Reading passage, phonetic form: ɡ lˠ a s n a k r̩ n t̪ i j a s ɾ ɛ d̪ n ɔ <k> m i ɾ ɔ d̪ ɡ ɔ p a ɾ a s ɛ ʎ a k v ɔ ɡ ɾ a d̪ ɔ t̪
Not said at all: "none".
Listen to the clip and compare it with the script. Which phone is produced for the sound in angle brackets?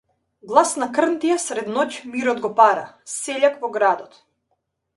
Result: c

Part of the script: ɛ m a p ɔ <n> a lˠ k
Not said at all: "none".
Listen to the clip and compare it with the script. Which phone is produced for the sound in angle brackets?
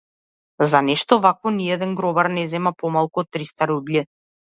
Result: m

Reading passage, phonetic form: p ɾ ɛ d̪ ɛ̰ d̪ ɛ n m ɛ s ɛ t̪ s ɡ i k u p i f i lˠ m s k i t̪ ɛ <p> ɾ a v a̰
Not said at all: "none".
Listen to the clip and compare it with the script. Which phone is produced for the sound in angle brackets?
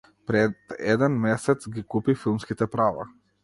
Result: p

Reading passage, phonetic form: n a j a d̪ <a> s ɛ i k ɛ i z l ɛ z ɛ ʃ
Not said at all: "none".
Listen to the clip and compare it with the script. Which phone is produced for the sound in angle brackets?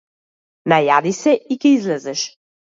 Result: i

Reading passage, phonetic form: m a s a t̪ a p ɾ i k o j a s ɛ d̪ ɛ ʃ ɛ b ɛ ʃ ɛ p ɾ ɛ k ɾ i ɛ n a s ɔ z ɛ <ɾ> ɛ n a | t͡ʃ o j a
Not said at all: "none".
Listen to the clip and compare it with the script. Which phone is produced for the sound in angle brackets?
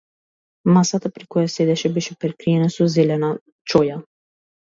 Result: l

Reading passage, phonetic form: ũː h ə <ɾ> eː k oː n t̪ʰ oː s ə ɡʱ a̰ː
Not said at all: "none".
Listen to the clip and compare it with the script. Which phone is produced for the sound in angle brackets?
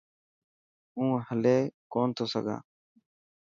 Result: l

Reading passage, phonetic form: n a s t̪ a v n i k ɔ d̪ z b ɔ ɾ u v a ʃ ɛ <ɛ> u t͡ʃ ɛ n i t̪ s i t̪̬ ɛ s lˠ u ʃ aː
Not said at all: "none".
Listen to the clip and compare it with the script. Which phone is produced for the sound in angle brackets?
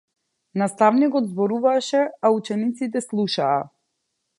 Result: a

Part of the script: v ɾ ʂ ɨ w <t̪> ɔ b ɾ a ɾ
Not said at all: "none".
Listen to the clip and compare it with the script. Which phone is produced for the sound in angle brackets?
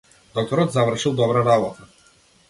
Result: d̪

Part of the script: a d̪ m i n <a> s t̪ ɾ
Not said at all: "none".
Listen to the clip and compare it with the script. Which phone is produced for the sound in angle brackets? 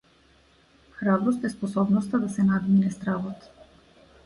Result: ɛ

